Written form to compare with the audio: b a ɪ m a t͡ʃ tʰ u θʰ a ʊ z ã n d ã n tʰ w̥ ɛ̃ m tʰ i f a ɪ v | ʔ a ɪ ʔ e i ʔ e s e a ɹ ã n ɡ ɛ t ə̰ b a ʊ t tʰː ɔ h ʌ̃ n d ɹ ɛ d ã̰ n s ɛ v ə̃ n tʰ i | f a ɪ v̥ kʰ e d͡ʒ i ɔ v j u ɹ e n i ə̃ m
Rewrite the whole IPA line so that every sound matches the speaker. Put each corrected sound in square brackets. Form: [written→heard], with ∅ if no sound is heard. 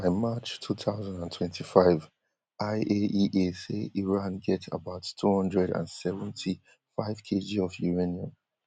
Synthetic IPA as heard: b a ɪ m a t͡ʃ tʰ u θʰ a ʊ z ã n d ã n tʰ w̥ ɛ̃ [m→n] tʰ i f a ɪ v | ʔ a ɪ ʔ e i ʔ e s e [a→i] ɹ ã n ɡ ɛ t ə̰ b a ʊ t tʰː [ɔ→u] h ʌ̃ n d ɹ ɛ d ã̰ n s ɛ v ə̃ n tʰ i | f a ɪ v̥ kʰ e d͡ʒ i ɔ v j u ɹ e n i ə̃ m